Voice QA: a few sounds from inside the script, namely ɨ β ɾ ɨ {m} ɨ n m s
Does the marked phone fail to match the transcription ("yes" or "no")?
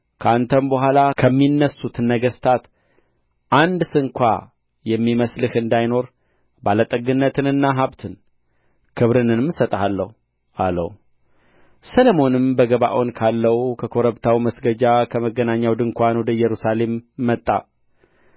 yes